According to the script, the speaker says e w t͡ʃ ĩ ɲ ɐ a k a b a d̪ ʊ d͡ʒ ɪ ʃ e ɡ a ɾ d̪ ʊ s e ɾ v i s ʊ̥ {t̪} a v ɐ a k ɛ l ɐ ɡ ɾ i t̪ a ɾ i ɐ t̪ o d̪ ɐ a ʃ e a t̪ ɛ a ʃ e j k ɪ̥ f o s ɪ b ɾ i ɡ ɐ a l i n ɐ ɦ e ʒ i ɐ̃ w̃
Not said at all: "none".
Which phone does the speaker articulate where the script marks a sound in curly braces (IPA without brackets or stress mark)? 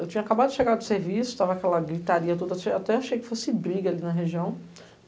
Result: t̪